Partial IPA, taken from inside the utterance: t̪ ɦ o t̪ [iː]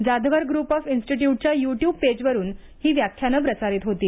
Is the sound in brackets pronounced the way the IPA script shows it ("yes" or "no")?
yes